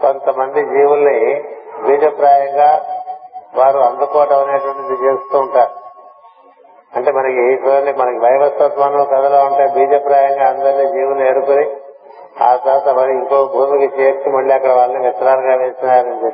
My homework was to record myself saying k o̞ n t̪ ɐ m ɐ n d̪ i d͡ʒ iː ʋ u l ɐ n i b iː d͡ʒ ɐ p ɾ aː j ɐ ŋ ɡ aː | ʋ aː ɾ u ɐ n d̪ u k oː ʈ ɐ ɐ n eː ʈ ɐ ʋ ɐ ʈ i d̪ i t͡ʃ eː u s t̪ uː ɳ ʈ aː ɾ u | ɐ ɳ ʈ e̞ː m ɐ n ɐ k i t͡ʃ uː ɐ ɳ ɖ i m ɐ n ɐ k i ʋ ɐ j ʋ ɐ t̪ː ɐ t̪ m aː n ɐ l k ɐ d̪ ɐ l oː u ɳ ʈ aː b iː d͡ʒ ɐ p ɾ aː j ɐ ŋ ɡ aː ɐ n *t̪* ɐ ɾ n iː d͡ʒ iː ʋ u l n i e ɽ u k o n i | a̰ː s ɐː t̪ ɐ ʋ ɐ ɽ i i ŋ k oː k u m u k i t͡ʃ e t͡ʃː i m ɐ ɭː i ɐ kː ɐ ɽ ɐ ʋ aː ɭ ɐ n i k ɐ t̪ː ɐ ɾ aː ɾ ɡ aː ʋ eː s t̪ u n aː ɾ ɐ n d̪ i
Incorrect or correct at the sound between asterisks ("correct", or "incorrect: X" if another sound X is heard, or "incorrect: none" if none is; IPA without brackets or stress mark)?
incorrect: d̪